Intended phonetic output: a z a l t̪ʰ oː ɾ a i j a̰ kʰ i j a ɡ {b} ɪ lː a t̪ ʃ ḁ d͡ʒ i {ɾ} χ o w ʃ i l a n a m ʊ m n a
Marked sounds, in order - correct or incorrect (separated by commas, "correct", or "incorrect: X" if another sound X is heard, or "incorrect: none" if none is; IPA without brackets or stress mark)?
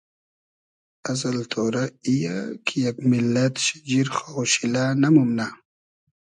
incorrect: m, correct